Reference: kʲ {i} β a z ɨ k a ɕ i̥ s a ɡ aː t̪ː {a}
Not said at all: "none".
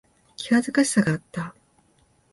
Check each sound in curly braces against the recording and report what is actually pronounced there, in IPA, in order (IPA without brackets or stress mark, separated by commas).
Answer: i, a